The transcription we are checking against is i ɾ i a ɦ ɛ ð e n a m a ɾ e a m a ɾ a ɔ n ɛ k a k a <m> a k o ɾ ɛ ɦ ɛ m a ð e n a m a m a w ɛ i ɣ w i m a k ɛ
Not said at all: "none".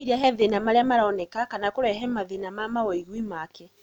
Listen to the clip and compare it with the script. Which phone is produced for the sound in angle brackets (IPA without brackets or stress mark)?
n